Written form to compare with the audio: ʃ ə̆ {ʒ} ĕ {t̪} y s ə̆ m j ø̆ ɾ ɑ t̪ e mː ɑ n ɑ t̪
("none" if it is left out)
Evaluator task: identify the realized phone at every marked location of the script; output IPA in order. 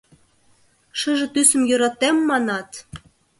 ʒ, t̪

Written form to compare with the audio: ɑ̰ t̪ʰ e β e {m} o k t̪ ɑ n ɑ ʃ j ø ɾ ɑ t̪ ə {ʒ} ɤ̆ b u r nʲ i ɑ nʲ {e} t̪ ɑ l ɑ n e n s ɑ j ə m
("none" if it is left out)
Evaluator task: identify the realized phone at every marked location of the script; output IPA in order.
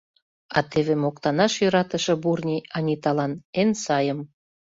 m, ʃ, i

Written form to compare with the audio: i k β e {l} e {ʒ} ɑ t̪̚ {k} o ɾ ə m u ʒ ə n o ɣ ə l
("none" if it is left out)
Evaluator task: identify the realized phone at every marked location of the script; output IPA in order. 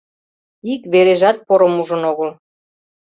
ɾ, ʒ, p

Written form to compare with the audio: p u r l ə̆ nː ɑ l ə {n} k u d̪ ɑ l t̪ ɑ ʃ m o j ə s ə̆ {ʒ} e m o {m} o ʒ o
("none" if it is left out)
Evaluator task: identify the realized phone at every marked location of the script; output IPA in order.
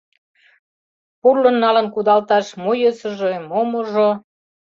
n, ʒ, m

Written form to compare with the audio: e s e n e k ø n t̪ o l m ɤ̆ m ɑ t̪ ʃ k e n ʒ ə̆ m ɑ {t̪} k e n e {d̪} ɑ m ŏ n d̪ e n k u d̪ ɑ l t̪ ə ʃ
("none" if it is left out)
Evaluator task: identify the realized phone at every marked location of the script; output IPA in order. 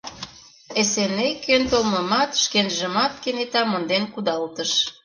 t̪, t̪

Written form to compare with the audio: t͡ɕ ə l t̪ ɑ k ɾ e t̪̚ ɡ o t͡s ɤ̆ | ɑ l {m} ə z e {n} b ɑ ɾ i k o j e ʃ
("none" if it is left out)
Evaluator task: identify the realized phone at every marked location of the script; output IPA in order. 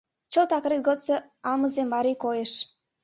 m, m

